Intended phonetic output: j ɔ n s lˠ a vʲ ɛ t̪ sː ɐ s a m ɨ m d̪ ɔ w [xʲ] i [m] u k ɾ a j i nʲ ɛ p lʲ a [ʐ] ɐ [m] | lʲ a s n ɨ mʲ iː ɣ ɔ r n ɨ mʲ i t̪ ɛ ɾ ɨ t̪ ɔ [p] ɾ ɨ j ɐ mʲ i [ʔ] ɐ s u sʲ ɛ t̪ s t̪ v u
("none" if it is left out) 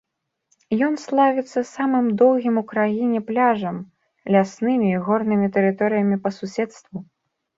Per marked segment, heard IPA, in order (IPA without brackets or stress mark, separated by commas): ɣʲ, m, ʐ, m, none, p